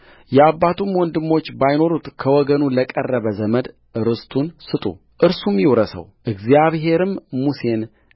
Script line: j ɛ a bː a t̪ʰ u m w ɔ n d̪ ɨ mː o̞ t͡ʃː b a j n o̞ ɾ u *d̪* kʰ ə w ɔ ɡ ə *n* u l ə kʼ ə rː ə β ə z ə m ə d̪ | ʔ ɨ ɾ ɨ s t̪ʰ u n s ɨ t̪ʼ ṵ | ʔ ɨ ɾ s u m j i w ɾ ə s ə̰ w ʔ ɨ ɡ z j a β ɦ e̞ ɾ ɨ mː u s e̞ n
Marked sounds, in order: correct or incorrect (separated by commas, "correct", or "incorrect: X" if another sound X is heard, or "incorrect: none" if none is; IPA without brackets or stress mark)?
incorrect: t̪, correct